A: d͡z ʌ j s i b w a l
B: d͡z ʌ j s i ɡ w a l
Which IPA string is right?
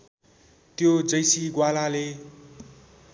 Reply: B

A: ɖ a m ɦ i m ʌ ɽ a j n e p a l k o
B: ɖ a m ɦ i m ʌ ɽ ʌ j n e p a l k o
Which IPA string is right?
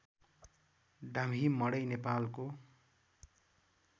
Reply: B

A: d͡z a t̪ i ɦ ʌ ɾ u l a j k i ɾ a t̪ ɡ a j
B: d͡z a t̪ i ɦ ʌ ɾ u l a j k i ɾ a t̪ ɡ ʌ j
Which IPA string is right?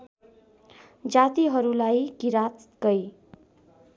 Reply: B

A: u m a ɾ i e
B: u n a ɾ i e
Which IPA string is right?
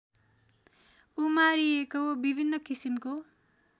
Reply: A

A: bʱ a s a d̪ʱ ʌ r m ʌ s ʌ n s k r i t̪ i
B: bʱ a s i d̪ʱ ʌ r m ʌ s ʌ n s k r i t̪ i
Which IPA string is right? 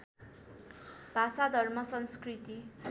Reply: A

